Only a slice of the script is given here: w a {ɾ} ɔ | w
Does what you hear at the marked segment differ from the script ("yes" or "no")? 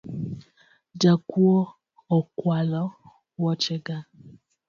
yes